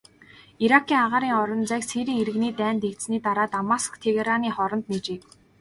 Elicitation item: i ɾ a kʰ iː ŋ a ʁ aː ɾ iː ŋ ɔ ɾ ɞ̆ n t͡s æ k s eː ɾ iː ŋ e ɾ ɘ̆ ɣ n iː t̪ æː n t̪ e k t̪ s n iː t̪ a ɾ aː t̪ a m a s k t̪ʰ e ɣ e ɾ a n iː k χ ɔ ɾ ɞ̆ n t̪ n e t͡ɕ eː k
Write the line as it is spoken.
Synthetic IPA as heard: i ɾ a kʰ iː ŋ a ʁ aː ɾ iː ŋ ɔ ɾ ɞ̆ n t͡s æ k s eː ɾ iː ŋ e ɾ ɘ̆ ɣ n iː t̪ æː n t̪ e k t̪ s n iː t̪ a ɾ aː t̪ a m a s k t̪ʰ e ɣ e ɾ a n iː χ ɔ ɾ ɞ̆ n t̪ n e t͡ɕ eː k